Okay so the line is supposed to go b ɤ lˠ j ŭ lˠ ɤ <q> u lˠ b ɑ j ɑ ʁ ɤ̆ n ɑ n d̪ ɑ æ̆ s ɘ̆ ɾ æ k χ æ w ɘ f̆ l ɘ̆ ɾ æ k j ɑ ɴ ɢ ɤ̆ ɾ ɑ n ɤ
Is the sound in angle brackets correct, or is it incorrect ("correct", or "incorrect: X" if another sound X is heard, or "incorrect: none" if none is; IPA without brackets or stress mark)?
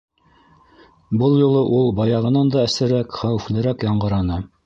incorrect: ʔ